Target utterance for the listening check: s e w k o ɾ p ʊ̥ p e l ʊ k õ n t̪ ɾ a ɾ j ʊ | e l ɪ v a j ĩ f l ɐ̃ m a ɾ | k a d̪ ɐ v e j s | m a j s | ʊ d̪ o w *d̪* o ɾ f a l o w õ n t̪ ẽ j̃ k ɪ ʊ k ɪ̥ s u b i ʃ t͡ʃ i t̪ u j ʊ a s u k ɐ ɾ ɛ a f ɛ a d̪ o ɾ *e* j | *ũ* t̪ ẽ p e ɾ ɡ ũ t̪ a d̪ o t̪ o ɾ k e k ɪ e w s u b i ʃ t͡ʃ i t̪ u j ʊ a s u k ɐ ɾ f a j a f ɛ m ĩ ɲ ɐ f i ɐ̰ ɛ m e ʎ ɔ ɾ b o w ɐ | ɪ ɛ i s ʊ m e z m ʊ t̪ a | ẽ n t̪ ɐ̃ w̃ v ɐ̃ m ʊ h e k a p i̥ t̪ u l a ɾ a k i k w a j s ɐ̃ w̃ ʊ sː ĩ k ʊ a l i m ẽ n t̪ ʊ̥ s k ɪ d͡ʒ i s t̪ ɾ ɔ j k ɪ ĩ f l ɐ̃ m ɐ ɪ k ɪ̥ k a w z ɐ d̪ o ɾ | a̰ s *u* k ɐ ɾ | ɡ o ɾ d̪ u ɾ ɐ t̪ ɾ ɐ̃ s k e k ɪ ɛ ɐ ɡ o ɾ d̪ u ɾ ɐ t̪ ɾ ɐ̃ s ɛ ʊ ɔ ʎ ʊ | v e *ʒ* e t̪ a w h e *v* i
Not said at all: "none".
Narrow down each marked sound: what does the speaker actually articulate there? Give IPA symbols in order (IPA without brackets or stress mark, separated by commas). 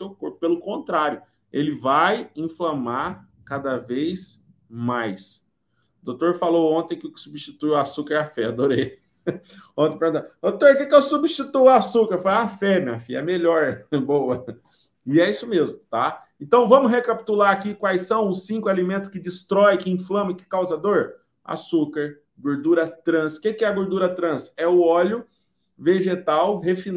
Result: t̪, e, õ, u, ʒ, f